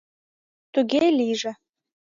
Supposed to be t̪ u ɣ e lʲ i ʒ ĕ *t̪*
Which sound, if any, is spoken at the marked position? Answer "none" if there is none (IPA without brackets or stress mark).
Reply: none